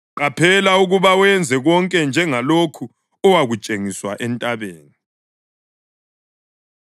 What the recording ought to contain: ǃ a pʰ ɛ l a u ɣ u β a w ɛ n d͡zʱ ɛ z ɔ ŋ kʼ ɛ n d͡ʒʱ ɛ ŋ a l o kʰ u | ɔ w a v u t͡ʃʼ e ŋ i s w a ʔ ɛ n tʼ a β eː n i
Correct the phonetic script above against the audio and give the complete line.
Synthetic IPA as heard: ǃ a pʰ ɛ l a u ɣ u β a w ɛ n d͡zʱ ɛ ɣ ɔ ŋ kʼ ɛ n d͡ʒʱ ɛ ŋ a l o kʰ u | ɔ w a ɣ u t͡ʃʼ e ŋ i s w a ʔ ɛ n tʼ a β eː n i